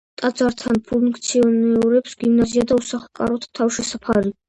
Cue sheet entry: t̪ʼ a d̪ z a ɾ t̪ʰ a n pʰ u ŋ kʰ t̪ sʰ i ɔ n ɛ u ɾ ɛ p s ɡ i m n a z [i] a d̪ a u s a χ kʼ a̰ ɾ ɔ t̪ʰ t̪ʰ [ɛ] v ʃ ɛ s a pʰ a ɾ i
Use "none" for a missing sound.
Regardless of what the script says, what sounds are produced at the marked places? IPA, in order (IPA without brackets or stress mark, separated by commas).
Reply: i, a